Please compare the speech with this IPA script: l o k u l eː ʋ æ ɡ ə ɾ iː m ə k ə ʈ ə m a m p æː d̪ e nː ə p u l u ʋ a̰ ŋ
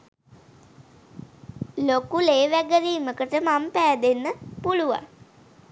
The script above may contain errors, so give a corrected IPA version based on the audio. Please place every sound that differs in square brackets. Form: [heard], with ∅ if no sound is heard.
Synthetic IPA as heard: l o k u l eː ʋ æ ɡ ə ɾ iː m ə k ə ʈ ə m a m p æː d̪ e nː ə p u l u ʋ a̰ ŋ

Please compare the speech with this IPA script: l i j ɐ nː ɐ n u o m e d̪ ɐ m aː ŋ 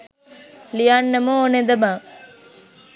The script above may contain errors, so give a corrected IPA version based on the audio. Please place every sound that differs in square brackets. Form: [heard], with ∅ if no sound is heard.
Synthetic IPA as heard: l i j [a] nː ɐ [m] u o [n] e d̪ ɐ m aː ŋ

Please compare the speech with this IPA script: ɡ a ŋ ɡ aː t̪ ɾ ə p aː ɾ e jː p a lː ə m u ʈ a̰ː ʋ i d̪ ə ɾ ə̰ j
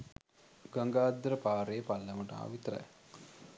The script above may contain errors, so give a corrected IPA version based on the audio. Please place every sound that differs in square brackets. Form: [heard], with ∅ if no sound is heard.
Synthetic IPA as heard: ɡ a ŋ ɡ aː [d̪] ɾ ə p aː ɾ e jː p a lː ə m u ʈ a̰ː ʋ i [t̪] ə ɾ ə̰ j

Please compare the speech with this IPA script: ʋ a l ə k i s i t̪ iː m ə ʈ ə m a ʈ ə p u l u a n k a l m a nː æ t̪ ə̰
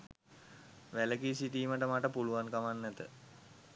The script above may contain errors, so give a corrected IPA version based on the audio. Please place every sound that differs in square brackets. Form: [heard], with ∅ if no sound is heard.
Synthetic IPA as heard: ʋ [æ] l ə k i s i t̪ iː m ə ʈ ə m a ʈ ə p u l u a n k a [∅] m a nː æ t̪ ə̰

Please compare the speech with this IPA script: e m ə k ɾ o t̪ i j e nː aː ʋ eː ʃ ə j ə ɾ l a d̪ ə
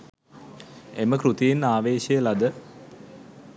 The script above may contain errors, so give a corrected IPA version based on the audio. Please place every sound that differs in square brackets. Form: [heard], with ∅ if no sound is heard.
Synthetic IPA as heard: e m ə k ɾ [u] t̪ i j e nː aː ʋ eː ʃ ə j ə [∅] l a d̪ ə

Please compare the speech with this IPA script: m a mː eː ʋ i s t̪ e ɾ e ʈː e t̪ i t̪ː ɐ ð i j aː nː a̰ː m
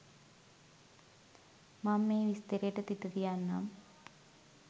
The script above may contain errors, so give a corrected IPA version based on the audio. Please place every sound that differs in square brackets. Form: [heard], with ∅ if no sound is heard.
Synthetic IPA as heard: m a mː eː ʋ i s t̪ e ɾ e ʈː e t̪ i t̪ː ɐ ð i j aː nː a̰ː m

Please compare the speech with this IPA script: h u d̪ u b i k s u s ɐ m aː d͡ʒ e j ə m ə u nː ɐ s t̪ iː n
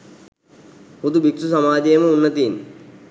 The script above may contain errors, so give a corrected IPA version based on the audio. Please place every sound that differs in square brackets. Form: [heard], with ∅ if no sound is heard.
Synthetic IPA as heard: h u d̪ u b i k s u s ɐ m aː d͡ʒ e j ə m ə u nː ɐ [∅] t̪ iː n

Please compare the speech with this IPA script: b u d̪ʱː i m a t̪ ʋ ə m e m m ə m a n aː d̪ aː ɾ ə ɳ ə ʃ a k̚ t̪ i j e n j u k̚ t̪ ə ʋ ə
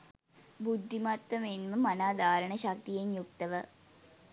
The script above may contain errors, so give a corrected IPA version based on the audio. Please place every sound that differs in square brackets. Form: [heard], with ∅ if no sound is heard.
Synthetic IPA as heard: b u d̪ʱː i m a t̪ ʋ ə m e [n] m ə m a n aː d̪ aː ɾ ə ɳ ə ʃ a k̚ t̪ i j e n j u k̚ t̪ ə ʋ ə

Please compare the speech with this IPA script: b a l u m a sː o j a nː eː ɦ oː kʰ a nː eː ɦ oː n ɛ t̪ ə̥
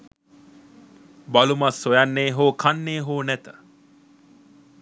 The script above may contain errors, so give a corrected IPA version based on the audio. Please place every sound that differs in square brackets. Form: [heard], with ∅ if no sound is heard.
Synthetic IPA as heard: b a l u m a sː o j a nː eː ɦ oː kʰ a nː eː ɦ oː n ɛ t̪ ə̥

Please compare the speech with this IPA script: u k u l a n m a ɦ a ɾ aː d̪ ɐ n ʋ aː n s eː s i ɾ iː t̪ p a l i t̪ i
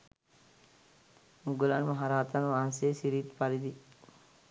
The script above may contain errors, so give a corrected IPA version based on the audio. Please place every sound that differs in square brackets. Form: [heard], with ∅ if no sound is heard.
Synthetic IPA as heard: u [ɡ] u l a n m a ɦ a ɾ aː [t̪] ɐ n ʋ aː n s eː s i ɾ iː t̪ p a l i [d̪] i

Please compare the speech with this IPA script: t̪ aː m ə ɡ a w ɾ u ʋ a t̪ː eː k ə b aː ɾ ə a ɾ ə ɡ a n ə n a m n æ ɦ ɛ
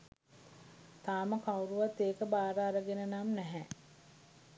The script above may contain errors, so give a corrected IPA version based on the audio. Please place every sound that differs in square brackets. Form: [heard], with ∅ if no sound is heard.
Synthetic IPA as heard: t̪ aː m ə [k] a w ɾ u ʋ a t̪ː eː k ə b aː ɾ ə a ɾ ə ɡ [e] n ə n a m n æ ɦ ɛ

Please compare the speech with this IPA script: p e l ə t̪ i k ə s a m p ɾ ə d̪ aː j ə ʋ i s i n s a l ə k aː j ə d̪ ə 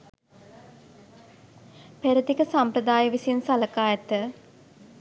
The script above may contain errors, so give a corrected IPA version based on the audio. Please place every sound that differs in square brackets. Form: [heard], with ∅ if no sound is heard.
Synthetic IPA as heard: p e [ɾ] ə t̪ i k ə s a m p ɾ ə d̪ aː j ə ʋ i s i n s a l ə k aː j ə [t̪] ə

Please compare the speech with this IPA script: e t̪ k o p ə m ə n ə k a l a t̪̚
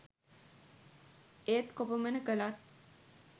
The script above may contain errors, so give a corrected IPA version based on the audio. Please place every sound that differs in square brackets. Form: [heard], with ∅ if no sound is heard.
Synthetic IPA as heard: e t̪ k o p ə m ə n ə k [ə] l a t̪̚

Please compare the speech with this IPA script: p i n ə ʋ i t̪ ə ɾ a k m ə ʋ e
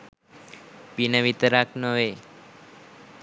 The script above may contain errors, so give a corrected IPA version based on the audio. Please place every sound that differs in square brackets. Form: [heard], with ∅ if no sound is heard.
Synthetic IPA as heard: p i n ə ʋ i t̪ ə ɾ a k [n] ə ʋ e

